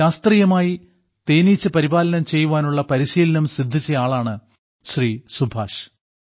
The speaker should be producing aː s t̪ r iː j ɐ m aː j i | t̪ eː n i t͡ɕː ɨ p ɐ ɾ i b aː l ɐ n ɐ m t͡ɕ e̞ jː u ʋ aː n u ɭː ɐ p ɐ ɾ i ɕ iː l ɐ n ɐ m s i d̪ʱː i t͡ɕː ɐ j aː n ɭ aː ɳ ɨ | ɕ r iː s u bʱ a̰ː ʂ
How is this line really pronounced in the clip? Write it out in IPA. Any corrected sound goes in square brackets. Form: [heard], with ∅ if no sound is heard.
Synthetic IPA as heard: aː s t̪ r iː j ɐ m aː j i | t̪ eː n i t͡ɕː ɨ p ɐ ɾ i b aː l ɐ n ɐ m t͡ɕ e̞ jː u ʋ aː n u ɭː ɐ p ɐ ɾ i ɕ iː l ɐ n ɐ m s i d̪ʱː i t͡ɕː ɐ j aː [∅] ɭ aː ɳ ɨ | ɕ r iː s u bʱ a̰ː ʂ